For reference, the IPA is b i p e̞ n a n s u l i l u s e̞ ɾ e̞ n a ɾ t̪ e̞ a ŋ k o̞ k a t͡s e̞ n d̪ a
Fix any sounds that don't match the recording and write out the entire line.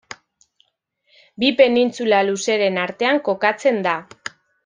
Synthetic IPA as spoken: b i p e̞ n i n t͡s u l a l u s e̞ ɾ e̞ n a ɾ t̪ e̞ a ŋ k o̞ k a t͡s e̞ n d̪ a